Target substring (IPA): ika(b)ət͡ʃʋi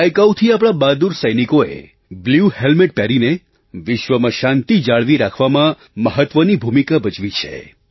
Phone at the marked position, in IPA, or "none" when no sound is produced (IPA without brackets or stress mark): b